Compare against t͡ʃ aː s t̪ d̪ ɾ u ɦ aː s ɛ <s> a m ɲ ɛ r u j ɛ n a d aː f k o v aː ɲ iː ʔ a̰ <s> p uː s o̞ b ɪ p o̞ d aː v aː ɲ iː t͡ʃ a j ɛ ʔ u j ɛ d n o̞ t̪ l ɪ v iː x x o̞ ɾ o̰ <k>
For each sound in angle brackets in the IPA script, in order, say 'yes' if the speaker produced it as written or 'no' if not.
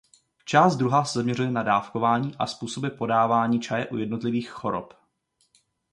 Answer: no, yes, no

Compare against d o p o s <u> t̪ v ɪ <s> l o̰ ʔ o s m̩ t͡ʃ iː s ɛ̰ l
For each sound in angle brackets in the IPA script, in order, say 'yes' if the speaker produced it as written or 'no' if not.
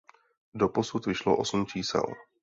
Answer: yes, no

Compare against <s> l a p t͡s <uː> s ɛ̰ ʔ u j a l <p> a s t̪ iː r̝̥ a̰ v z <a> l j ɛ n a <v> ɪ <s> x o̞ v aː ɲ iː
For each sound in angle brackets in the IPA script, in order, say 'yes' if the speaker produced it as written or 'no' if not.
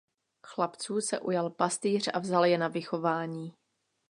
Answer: no, yes, yes, yes, yes, no

